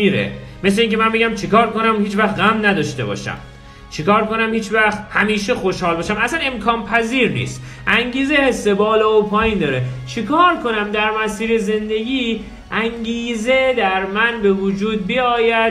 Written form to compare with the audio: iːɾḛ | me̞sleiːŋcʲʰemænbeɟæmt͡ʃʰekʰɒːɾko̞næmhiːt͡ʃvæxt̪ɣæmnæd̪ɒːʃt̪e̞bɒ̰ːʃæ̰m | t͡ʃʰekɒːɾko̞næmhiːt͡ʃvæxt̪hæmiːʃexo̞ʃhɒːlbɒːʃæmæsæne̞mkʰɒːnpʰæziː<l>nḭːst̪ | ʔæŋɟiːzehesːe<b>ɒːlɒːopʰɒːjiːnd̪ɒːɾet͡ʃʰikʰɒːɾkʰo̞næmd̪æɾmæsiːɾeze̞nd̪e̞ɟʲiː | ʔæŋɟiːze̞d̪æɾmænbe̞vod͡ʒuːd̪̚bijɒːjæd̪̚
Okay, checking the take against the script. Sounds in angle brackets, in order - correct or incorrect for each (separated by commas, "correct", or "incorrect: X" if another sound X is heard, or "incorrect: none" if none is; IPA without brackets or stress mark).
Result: incorrect: ɾ, correct